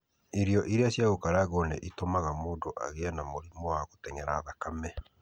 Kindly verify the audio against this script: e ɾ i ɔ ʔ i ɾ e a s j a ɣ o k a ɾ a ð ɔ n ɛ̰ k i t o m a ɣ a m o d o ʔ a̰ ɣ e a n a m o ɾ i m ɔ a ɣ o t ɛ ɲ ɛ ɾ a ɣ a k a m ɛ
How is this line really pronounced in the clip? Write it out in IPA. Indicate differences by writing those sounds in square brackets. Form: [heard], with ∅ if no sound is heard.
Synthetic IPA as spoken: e ɾ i ɔ ʔ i ɾ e a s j a ɣ o k a ɾ a [ɣ] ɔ n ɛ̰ [ʔ] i t o m a ɣ a m o d o ʔ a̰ ɣ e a n a m o ɾ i m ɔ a ɣ o t ɛ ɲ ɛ ɾ a [ð] a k a m ɛ